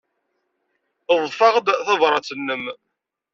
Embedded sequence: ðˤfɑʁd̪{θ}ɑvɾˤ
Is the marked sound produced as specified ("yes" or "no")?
yes